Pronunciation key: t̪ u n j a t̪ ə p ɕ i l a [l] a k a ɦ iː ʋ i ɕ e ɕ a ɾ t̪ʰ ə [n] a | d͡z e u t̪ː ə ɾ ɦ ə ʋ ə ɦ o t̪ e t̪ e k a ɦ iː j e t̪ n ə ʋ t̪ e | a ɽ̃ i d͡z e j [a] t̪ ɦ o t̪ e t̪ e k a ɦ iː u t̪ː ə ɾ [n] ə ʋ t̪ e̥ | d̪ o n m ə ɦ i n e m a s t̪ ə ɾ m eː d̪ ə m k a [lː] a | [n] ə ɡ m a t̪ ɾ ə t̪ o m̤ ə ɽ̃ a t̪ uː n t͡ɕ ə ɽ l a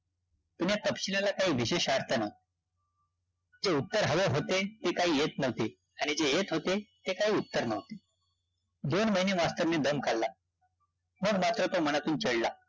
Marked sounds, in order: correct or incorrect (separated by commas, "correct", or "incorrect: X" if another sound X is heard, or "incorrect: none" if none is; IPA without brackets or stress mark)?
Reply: correct, correct, incorrect: e, correct, correct, incorrect: m